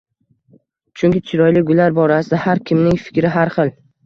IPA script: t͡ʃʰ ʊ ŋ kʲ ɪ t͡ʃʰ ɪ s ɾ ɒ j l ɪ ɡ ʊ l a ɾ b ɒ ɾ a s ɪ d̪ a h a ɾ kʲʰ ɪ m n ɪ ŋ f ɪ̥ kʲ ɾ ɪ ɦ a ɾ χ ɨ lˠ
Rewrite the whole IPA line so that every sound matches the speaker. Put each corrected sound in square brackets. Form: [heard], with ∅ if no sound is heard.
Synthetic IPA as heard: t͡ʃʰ ʊ ŋ kʲ ɪ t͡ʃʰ ɪ [∅] ɾ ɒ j l ɪ ɡ ʊ l a ɾ b ɒ ɾ a s ɪ d̪ a h a ɾ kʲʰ ɪ m n ɪ ŋ f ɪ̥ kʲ ɾ ɪ ɦ a ɾ χ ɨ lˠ